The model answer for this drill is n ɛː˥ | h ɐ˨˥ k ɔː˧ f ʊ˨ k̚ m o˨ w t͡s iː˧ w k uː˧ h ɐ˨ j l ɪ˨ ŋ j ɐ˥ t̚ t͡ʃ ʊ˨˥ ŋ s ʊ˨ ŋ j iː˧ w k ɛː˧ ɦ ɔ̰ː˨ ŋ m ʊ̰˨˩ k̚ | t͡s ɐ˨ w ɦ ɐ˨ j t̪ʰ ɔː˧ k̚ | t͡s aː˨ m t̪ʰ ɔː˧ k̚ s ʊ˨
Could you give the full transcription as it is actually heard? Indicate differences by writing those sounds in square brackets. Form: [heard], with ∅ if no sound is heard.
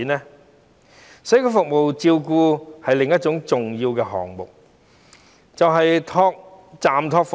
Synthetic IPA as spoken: n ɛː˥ | [s] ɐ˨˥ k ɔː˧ f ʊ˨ k̚ m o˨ w t͡s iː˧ w k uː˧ h ɐ˨ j l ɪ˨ ŋ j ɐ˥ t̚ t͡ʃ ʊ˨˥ ŋ [t͡s] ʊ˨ ŋ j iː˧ w k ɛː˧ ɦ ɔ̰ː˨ ŋ m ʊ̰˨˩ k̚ | t͡s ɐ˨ w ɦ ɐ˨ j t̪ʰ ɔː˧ k̚ | t͡s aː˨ m t̪ʰ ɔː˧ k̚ [f] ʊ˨

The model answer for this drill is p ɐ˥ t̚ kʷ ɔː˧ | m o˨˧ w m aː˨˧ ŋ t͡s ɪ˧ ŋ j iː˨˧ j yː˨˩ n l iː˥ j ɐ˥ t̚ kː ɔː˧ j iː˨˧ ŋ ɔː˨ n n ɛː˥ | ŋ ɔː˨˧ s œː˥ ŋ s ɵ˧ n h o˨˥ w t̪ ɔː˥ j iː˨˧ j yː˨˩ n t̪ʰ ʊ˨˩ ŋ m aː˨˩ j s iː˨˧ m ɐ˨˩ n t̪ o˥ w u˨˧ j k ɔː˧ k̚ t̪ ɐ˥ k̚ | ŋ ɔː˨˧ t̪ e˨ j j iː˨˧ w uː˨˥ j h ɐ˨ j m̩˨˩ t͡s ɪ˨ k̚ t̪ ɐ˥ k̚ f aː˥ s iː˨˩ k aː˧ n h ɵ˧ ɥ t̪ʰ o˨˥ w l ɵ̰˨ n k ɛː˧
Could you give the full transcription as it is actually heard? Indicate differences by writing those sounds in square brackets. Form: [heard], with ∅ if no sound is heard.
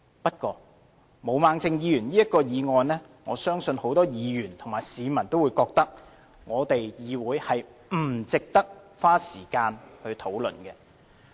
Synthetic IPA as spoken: p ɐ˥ t̚ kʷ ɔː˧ | m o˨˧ w m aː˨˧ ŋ t͡s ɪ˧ ŋ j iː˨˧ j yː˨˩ n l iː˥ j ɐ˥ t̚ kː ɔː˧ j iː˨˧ ŋ ɔː˨ n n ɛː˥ | ŋ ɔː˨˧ s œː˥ ŋ s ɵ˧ n h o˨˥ w t̪ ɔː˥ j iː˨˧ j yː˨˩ n t̪ʰ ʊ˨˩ ŋ m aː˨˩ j s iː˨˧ m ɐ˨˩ n t̪ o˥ w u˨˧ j k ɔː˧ k̚ t̪ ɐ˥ k̚ | ŋ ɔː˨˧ t̪ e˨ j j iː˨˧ w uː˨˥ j h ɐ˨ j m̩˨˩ t͡s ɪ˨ k̚ t̪ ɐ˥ k̚ f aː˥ s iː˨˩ k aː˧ n h ɵ˧ ɥ t̪ʰ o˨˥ w l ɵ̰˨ n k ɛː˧

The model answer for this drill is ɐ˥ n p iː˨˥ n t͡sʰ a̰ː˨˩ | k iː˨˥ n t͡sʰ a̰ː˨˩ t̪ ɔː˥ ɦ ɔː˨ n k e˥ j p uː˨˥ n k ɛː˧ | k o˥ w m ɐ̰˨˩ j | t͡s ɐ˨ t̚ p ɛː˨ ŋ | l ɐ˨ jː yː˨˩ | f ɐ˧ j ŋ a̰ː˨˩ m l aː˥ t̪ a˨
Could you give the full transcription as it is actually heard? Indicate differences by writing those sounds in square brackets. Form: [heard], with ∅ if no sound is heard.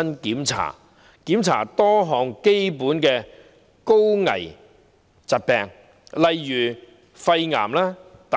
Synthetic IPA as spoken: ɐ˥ n [k] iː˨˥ [m] t͡sʰ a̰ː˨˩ | k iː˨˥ [m] t͡sʰ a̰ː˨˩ t̪ ɔː˥ ɦ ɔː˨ [ŋ] k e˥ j p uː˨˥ n k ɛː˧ | k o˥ w [ŋ] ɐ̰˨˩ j | t͡s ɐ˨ t̚ p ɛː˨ ŋ | l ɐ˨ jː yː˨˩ | f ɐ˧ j ŋ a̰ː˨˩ m l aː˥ t̪ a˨

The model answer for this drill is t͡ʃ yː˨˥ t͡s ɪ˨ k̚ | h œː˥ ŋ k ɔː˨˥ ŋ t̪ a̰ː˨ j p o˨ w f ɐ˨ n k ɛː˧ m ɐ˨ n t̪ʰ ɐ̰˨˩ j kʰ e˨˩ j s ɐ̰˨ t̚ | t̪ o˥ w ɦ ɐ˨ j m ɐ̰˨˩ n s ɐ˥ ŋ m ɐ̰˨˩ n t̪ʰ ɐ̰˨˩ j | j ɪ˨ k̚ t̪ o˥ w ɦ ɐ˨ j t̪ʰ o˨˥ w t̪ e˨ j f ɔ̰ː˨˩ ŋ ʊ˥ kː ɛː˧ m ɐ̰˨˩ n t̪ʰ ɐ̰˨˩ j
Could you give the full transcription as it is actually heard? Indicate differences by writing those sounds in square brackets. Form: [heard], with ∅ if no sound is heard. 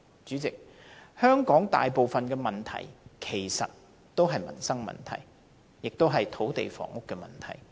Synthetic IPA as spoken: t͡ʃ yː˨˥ t͡s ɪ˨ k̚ | h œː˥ ŋ k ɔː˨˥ ŋ t̪ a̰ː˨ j p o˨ w f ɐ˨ n k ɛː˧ m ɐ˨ n t̪ʰ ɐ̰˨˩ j kʰ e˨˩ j s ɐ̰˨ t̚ | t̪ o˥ w ɦ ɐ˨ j m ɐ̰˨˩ n s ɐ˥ ŋ m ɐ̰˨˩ n t̪ʰ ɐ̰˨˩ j | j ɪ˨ k̚ t̪ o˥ w ɦ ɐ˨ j t̪ʰ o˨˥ w t̪ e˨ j f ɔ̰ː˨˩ ŋ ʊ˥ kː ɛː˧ m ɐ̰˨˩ n t̪ʰ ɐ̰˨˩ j

